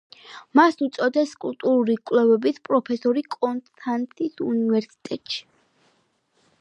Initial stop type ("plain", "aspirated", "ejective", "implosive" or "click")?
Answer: plain